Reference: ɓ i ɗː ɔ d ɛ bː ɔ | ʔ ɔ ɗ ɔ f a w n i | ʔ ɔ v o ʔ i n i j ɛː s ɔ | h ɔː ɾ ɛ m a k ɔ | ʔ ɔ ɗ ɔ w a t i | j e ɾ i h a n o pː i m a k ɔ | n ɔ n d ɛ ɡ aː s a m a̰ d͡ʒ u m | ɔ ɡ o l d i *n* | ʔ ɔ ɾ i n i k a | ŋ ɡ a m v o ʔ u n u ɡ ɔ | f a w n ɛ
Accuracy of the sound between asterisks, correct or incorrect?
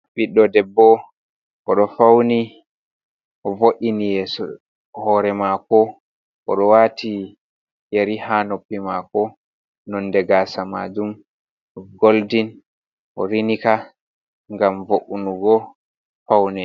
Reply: correct